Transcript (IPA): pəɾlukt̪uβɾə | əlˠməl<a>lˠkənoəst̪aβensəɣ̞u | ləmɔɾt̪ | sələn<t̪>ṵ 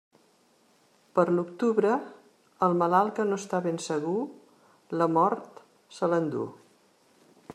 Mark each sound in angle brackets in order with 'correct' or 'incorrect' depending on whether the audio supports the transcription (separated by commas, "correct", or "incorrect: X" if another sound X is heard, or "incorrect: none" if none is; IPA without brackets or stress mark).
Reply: correct, incorrect: d̪